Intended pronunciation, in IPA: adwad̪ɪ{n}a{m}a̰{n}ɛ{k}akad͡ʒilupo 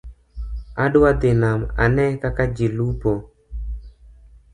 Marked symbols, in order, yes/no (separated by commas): yes, yes, yes, yes